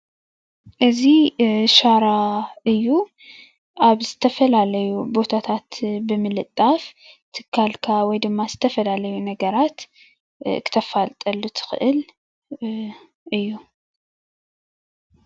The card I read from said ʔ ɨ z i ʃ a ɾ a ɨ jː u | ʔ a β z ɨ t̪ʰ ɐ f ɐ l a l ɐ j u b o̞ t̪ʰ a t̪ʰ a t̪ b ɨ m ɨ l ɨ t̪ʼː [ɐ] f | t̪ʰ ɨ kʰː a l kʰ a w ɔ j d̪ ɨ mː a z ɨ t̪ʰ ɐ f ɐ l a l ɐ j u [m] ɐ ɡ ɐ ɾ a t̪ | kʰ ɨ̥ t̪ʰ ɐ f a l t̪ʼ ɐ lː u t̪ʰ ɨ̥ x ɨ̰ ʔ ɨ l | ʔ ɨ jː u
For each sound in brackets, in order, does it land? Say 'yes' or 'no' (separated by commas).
no, no